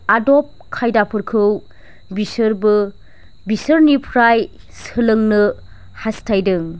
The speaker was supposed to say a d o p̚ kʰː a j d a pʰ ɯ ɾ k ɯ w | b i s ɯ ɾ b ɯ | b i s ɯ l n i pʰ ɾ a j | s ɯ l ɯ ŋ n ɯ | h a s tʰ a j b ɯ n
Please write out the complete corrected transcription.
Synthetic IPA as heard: a d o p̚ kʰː a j d a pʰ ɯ ɾ kʰ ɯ w | b i s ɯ ɾ b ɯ | b i s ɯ ɾ n i pʰ ɾ a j | s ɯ l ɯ ŋ n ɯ | h a s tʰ a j d ɯ ŋ